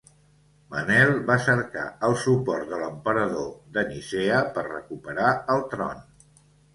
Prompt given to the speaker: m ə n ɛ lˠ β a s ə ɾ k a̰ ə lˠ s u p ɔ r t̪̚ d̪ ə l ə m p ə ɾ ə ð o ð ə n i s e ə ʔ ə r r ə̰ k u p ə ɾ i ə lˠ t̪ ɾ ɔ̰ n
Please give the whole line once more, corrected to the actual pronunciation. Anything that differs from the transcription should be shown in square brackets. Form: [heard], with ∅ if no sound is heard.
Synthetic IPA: m ə n ɛ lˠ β a s ə ɾ k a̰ ə lˠ s u p ɔ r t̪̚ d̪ ə l ə m p ə ɾ ə ð o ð ə n i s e ə [p] ə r r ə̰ k u p ə ɾ [a] ə lˠ t̪ ɾ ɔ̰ n